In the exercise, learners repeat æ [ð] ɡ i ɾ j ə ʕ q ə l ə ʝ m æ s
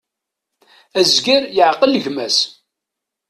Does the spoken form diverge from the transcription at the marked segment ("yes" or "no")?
yes